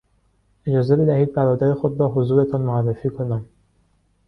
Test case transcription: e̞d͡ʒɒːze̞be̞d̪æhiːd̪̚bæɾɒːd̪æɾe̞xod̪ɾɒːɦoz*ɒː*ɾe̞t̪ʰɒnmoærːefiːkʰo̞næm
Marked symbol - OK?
no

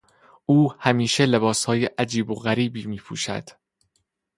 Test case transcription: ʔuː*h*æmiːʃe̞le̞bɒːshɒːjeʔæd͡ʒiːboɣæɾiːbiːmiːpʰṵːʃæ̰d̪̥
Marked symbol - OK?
yes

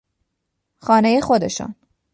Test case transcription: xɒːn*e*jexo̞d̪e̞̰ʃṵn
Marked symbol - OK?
yes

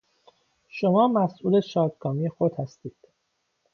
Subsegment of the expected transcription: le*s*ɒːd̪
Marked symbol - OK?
no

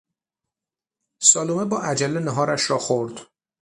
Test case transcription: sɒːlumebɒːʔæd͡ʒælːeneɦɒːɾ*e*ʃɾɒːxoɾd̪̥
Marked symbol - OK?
no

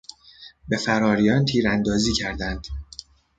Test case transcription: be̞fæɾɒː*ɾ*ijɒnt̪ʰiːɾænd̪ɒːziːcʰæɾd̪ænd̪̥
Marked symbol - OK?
yes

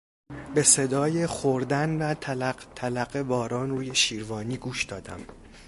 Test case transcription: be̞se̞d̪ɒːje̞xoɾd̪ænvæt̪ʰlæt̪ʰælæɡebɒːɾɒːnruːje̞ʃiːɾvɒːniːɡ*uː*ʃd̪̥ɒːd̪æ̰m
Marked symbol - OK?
yes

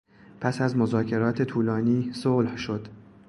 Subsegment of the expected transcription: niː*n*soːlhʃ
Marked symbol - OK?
no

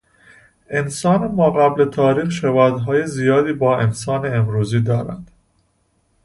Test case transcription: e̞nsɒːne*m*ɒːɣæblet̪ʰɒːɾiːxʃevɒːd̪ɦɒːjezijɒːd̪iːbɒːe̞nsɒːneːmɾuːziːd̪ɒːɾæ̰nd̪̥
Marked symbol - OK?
yes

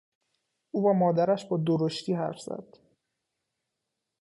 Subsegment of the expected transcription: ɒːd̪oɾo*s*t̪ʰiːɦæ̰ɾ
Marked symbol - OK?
no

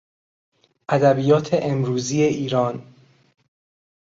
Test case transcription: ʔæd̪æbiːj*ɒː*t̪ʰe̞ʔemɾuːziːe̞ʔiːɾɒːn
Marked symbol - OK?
yes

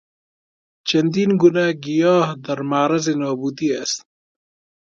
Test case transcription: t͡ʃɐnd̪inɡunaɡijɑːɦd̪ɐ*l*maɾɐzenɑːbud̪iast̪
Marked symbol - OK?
no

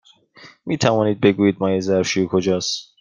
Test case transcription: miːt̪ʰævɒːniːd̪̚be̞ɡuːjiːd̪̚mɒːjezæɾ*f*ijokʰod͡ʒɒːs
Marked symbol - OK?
no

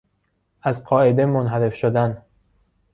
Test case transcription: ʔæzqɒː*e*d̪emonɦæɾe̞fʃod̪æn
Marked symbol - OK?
yes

